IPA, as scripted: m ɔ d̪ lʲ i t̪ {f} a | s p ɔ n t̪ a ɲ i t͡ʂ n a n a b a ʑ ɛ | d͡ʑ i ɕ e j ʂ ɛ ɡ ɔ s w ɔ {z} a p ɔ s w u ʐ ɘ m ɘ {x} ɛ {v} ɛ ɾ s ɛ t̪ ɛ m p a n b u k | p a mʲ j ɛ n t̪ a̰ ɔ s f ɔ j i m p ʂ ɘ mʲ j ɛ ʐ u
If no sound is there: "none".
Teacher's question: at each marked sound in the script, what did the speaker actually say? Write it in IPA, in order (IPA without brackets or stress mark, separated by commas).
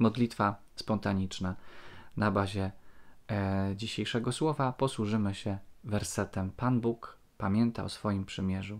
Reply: f, v, ɕ, v